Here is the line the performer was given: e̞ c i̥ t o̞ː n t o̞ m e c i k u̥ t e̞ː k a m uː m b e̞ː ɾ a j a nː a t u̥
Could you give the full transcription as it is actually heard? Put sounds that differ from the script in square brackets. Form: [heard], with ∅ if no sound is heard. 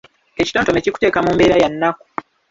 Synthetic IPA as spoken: e̞ c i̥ t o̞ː n t o̞ m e c i k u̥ t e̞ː k a m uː m b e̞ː ɾ a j a nː a [k] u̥